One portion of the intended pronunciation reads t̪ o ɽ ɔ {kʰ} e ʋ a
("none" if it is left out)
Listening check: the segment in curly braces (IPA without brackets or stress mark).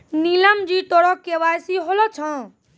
k